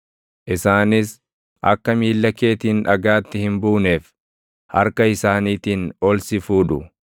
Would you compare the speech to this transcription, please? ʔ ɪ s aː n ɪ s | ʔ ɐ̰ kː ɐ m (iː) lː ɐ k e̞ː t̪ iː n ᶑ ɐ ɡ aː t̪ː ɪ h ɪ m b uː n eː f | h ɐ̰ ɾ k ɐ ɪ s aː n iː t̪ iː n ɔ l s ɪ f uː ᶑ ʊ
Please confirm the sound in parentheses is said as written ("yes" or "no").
yes